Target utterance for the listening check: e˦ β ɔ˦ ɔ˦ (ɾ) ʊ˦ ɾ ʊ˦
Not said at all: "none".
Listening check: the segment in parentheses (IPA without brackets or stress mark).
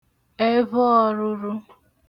ɾ